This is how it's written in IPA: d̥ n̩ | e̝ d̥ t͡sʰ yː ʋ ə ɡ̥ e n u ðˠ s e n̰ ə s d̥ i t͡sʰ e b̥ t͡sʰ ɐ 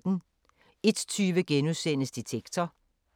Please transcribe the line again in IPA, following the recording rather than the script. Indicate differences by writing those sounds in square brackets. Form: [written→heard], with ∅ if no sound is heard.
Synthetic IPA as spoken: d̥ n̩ | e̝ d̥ t͡sʰ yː ʋ ə ɡ̥ e n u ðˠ s e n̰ ə s d̥ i t͡sʰ e [b̥→ɡ̥] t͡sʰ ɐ